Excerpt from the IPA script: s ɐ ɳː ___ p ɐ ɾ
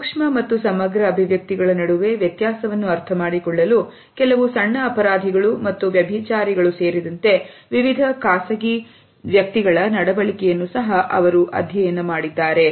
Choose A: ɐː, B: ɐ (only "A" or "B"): A